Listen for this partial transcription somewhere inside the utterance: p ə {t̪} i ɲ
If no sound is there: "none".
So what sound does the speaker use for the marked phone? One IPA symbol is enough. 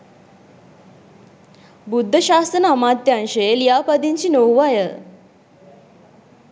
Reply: d̪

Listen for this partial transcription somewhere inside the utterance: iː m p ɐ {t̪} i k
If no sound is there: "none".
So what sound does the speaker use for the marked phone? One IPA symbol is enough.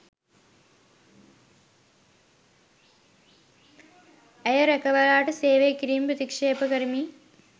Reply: t̪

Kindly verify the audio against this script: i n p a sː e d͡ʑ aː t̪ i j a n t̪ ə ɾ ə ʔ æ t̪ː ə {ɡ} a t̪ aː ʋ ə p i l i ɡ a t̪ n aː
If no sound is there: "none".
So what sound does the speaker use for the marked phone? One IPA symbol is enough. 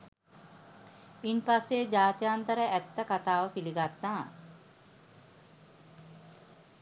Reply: k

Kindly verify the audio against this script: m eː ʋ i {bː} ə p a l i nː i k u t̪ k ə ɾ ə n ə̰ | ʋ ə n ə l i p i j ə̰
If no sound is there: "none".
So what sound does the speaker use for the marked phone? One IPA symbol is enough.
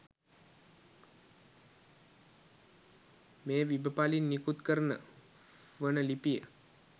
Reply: b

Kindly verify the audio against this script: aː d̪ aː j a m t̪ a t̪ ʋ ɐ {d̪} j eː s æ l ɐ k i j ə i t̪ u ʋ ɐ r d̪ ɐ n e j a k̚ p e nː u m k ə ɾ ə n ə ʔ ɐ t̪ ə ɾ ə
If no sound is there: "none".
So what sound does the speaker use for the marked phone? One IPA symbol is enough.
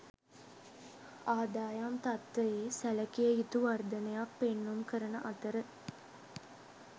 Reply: none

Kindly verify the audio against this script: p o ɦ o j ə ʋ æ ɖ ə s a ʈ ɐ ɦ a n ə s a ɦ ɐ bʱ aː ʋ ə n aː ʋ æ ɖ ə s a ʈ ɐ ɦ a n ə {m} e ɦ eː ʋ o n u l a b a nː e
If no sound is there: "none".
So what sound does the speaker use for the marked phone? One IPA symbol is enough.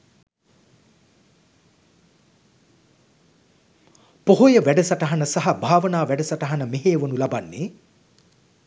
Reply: m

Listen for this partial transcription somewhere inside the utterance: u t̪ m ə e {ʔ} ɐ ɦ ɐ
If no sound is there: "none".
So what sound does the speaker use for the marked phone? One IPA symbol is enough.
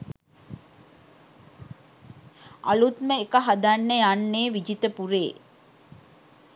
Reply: k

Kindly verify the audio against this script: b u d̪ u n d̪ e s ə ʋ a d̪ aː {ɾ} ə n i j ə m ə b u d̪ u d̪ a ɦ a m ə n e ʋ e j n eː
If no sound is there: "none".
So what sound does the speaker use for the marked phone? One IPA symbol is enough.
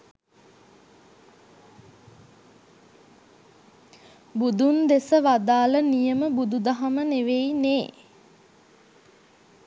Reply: l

